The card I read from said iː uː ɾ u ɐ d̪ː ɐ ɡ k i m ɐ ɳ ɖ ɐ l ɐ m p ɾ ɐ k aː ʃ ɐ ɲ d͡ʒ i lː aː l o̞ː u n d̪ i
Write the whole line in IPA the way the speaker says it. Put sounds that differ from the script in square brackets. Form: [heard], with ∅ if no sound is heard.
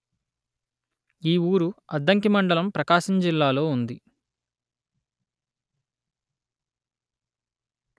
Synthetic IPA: iː uː ɾ u ɐ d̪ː ɐ [ŋ] k i m ɐ ɳ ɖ ɐ l ɐ m p ɾ ɐ k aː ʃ ɐ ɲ d͡ʒ i lː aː l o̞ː u n d̪ i